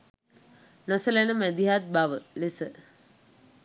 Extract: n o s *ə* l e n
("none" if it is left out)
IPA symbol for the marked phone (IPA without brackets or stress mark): ə